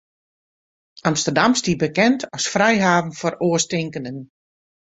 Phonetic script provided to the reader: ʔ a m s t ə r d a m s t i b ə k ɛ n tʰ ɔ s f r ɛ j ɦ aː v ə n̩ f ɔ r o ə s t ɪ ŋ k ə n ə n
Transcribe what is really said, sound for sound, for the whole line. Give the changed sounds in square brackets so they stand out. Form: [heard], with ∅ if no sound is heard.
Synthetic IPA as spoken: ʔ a m s t ə r d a m s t i b ə k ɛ n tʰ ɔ s f r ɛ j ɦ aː v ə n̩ f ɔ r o ə s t ɪ ŋ k ə n ə n